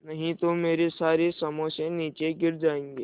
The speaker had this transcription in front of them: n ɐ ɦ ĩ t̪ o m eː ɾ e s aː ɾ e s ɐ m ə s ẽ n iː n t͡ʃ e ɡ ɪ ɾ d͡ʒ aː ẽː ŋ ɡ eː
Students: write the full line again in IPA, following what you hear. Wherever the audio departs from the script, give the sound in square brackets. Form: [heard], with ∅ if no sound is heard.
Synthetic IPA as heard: n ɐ ɦ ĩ t̪ o m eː ɾ e s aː ɾ e s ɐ m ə s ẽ n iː [∅] t͡ʃ e ɡ ɪ ɾ d͡ʒ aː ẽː ŋ ɡ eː